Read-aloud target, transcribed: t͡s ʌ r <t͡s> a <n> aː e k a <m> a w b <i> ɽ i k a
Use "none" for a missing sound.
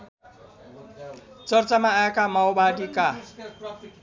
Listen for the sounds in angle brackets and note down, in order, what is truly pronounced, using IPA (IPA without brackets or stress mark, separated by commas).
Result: t͡s, m, m, a